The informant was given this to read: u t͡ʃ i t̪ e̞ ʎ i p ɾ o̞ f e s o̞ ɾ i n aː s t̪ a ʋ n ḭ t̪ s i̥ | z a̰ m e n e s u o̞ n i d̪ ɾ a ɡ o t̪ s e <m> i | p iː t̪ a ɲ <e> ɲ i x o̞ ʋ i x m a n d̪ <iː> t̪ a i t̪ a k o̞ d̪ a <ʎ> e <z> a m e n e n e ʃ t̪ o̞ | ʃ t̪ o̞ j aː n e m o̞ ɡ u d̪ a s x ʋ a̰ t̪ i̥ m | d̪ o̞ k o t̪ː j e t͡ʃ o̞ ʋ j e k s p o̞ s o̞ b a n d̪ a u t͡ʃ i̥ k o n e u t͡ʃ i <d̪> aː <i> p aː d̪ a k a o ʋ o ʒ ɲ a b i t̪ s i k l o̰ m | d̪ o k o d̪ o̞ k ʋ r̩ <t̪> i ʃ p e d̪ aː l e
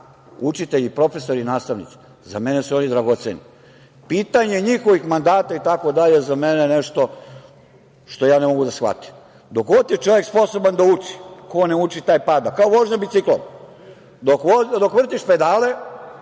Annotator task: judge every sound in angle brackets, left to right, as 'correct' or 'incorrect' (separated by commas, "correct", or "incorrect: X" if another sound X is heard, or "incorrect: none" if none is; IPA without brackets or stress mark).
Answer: incorrect: n, correct, incorrect: aː, correct, correct, incorrect: t̪, incorrect: j, correct